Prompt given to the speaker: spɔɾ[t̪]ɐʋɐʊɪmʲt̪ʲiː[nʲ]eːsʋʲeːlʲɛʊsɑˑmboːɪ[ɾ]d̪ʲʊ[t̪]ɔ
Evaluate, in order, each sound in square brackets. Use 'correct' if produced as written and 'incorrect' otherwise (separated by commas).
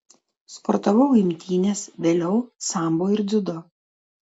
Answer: correct, correct, correct, incorrect